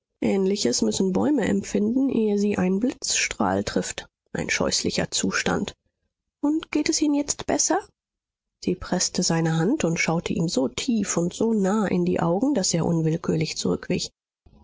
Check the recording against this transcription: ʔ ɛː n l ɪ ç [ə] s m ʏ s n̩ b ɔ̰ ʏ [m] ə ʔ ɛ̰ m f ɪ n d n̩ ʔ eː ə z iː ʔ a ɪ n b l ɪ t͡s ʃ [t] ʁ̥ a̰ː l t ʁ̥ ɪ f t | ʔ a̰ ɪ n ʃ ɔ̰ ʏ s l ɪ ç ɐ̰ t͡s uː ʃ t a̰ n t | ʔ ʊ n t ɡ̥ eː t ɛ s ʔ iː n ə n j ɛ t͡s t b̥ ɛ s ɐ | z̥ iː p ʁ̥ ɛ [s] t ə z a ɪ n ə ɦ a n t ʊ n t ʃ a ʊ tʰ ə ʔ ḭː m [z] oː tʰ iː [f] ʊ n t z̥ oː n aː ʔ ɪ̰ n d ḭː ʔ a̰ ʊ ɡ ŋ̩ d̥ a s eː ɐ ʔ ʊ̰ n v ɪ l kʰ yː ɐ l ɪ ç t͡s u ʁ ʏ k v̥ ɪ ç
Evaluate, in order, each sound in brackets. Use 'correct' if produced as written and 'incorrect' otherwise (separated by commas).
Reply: correct, correct, correct, correct, correct, correct